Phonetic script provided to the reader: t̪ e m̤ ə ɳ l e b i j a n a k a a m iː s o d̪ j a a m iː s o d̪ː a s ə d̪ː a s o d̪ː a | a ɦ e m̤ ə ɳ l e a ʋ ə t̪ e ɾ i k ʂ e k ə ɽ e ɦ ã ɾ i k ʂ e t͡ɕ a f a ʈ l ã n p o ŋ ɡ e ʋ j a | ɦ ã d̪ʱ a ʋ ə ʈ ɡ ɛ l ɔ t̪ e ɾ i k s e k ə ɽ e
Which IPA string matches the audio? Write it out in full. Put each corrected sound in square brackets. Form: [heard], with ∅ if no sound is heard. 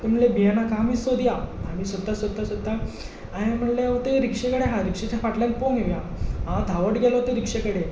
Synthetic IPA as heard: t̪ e m̤ ə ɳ l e b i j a n a k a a m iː s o d̪ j a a m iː s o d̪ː a s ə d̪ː a s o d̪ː a | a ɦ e m̤ ə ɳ l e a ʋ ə t̪ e ɾ i k ʂ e k ə ɽ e ɦ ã ɾ i k ʂ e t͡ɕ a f a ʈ l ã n p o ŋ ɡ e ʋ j a | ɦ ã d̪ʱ a ʋ ə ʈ ɡ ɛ l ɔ t̪ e ɾ i k [ʂ] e k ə ɽ e